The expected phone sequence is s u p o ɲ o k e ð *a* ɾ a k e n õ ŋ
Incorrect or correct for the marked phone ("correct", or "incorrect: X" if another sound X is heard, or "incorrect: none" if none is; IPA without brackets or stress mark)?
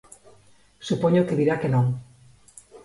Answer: incorrect: i